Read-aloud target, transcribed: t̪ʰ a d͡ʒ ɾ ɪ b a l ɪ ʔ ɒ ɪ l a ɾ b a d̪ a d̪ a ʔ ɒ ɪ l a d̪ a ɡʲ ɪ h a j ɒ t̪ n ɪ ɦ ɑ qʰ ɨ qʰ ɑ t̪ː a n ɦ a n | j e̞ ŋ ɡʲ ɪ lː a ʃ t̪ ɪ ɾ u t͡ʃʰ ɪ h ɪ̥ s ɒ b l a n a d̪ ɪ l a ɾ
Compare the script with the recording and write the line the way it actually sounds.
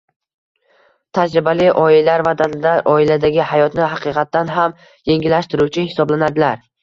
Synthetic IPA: t̪ʰ a d͡ʒ ɾ ɪ b a l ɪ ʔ ɒ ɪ l a ɾ v a d̪ a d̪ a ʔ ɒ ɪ l a d̪ a ɡʲ ɪ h a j ɒ t̪ n ɪ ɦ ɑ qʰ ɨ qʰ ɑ t̪ː a n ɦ a m | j e̞ ŋ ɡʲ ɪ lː a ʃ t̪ ɪ ɾ u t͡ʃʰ ɪ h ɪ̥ s ɒ b l a n a d̪ ɪ l a ɾ